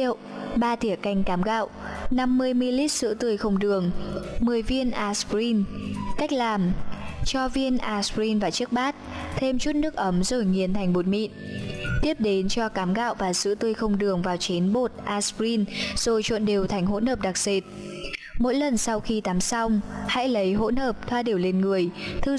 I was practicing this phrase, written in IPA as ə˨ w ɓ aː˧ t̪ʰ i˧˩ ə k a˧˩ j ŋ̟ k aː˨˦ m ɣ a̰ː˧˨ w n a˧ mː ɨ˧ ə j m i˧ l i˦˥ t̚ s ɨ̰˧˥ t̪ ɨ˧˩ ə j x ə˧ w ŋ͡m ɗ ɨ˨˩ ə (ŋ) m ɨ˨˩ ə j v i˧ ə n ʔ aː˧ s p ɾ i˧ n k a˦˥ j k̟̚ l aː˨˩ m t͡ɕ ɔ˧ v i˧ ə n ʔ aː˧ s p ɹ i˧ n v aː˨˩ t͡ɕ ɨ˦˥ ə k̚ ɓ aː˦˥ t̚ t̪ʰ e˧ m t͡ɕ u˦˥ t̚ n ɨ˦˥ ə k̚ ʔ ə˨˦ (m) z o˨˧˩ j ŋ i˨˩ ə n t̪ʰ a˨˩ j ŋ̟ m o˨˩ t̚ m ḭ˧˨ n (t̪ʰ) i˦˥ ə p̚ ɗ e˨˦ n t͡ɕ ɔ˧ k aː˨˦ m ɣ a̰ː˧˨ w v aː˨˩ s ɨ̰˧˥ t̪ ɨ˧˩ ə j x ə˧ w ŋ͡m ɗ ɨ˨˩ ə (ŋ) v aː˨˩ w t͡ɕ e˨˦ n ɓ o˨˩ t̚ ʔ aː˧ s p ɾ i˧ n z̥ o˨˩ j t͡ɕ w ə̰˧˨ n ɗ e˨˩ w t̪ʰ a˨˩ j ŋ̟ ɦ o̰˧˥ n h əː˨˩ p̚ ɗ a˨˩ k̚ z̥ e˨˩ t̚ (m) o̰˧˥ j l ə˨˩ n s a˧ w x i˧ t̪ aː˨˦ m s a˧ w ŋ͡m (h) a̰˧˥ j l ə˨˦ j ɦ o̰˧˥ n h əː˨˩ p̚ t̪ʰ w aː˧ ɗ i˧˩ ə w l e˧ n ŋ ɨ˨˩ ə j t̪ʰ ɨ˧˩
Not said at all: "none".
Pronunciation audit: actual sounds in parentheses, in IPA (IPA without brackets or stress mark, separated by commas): ŋ, m, t̪, ŋ, m, h